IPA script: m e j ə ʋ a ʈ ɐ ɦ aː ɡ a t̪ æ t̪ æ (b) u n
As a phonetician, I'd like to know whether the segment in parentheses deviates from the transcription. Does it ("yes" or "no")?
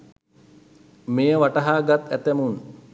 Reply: yes